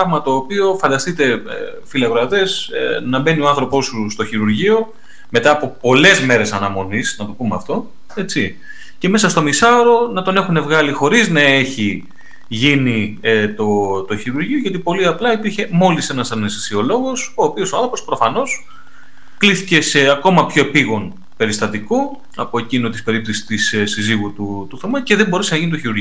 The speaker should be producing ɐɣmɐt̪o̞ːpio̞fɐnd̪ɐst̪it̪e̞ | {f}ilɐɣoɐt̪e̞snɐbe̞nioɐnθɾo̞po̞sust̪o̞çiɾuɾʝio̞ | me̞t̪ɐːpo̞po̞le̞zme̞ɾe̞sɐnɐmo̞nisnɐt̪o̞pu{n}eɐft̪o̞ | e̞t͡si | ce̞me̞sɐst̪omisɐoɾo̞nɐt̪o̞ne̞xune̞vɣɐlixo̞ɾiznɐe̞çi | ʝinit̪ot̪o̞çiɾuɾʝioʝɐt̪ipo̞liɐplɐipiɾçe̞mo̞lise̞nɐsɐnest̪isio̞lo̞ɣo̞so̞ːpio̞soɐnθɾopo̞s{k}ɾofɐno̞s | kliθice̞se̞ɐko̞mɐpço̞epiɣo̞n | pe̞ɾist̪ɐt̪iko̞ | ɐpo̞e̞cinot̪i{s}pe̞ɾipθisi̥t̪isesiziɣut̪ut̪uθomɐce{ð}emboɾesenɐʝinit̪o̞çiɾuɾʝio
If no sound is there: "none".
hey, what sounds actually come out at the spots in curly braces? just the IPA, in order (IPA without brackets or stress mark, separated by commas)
f, m, p, s, ð